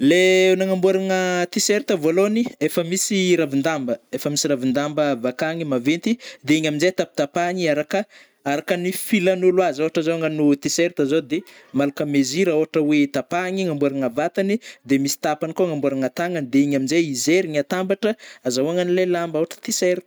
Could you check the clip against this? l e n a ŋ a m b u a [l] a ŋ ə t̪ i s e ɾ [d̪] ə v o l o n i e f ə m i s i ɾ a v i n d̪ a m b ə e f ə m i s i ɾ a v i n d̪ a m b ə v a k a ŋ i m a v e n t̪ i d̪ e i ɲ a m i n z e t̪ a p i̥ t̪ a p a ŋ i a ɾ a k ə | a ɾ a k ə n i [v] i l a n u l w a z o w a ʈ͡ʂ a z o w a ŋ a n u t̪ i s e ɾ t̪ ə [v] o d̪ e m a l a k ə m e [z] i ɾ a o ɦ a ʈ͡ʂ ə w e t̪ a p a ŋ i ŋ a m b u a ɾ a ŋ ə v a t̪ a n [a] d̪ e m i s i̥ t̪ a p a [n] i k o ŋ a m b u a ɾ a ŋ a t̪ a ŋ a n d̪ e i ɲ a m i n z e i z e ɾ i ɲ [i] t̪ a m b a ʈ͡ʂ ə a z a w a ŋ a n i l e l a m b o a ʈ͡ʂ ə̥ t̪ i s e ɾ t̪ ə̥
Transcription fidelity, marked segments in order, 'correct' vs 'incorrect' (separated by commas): incorrect, incorrect, incorrect, incorrect, correct, incorrect, correct, incorrect